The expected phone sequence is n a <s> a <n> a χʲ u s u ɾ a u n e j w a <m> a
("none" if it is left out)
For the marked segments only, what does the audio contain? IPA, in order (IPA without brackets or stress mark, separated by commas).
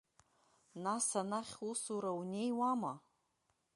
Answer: s, n, m